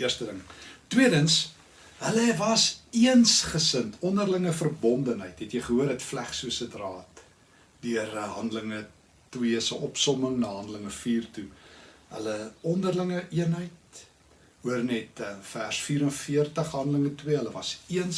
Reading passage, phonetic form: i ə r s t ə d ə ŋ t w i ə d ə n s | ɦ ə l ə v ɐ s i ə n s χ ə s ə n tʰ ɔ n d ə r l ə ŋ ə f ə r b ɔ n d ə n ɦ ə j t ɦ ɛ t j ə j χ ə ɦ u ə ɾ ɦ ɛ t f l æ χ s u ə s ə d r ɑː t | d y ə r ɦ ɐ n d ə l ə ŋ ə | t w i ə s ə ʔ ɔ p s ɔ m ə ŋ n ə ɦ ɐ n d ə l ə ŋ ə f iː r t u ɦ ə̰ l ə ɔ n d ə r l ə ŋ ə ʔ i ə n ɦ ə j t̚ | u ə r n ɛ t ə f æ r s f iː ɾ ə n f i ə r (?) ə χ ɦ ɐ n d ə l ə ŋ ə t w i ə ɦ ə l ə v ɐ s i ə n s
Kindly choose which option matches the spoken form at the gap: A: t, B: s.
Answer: A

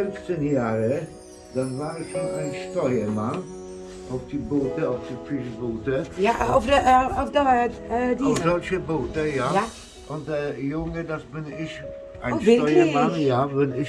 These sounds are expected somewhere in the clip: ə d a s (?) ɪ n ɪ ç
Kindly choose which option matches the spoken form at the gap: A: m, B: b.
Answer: B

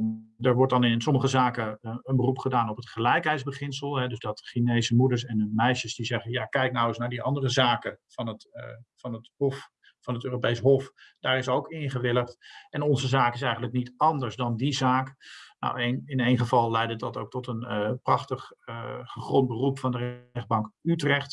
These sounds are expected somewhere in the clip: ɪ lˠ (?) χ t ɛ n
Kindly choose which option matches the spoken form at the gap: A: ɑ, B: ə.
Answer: B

